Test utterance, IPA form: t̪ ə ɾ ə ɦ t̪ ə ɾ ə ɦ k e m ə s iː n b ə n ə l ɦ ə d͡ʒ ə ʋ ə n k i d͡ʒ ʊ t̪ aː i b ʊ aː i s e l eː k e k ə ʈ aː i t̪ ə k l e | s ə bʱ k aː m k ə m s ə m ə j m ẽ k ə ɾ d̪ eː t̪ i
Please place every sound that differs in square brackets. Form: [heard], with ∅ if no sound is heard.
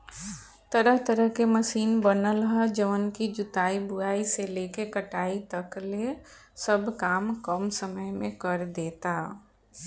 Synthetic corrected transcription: t̪ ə ɾ ə ɦ t̪ ə ɾ ə ɦ k e m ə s iː n b ə n ə l ɦ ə d͡ʒ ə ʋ ə n k i d͡ʒ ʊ t̪ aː i b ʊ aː i s e l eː k e k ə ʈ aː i t̪ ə k l e | s ə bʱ k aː m k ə m s ə m ə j m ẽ k ə ɾ d̪ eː t̪ [a]